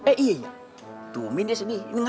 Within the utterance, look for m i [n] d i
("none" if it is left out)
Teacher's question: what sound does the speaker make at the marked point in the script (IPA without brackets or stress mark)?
n